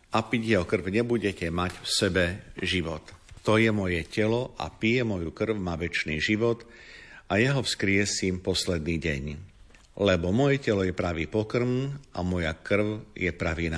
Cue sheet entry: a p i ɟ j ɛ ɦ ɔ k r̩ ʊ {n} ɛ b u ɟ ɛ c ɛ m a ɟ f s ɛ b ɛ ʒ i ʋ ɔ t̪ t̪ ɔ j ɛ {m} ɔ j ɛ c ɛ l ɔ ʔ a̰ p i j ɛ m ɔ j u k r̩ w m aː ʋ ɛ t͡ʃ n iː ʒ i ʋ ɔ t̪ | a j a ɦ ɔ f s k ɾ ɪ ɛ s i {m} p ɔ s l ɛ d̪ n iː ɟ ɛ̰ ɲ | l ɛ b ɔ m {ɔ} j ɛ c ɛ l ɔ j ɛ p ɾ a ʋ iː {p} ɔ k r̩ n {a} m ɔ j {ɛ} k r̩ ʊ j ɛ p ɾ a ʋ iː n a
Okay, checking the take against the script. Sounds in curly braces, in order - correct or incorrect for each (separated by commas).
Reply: incorrect, correct, correct, correct, correct, correct, incorrect